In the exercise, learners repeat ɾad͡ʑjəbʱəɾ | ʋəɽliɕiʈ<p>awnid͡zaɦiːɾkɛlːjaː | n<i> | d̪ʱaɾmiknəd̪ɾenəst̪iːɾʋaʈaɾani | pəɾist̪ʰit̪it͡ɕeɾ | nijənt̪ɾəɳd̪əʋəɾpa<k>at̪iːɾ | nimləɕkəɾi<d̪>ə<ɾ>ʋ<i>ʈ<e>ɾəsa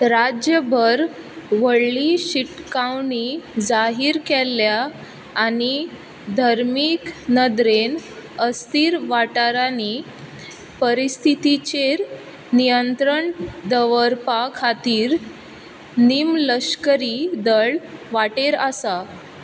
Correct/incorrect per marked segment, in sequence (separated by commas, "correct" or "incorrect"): incorrect, correct, incorrect, correct, incorrect, incorrect, correct